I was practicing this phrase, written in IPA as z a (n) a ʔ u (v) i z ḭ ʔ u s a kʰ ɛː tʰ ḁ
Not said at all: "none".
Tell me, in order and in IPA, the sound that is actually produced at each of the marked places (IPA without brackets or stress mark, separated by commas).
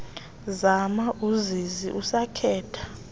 m, z